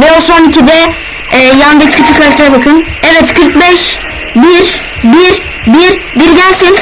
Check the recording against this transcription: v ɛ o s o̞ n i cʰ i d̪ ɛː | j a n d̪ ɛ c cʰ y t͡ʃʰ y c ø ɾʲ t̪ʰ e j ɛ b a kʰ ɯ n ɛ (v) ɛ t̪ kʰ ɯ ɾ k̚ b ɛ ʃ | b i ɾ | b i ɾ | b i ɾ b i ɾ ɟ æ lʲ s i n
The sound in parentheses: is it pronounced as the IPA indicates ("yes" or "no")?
yes